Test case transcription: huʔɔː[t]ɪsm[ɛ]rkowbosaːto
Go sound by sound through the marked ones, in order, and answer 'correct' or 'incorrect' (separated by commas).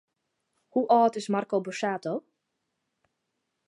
correct, incorrect